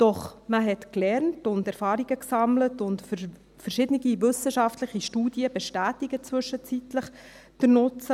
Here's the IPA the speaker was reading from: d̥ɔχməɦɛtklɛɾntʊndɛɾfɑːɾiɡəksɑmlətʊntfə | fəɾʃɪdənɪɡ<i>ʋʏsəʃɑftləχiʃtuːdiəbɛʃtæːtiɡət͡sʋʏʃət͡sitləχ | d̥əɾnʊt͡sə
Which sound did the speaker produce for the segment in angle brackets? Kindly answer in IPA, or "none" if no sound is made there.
i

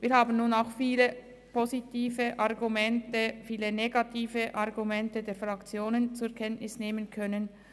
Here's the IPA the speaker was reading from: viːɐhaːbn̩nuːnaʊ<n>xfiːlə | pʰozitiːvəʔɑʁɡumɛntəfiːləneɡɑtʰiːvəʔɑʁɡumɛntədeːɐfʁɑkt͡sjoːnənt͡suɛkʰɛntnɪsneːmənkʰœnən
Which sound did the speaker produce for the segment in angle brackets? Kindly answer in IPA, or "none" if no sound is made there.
none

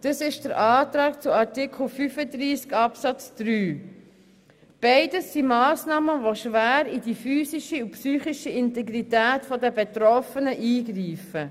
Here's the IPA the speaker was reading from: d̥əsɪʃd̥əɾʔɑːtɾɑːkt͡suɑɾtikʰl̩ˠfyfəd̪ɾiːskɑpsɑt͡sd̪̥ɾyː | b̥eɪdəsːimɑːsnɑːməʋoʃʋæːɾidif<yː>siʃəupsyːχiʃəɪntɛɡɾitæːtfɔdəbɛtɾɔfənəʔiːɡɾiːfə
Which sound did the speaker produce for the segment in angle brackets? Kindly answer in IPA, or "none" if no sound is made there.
yː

